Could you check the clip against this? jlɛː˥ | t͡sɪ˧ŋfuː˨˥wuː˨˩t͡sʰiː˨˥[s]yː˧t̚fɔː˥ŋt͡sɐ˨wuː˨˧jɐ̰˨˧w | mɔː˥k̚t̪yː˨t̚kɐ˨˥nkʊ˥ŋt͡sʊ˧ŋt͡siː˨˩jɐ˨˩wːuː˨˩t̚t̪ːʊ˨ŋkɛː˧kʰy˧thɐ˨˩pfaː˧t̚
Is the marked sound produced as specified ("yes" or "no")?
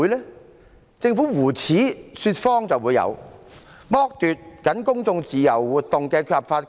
yes